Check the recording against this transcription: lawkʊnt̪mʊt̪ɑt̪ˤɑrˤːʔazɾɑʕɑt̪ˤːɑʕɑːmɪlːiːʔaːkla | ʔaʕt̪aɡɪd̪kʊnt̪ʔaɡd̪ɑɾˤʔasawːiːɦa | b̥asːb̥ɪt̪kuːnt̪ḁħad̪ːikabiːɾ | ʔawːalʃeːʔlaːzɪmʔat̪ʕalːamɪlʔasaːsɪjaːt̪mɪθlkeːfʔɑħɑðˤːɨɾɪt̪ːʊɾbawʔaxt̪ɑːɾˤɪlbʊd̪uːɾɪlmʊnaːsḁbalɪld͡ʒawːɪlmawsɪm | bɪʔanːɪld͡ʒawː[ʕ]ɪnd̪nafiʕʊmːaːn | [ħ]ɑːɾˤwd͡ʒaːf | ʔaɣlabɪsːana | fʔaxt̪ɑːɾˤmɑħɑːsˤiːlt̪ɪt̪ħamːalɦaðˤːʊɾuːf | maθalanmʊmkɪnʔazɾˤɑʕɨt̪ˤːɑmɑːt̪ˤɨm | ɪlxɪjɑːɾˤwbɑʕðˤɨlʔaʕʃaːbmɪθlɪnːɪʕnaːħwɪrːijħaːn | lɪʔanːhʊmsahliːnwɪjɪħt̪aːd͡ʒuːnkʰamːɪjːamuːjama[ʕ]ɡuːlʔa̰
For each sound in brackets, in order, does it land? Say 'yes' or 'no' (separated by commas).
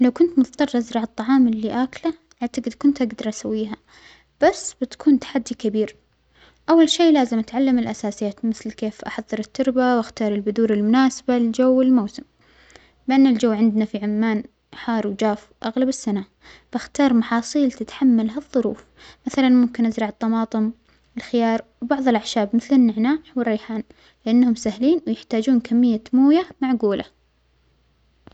yes, yes, yes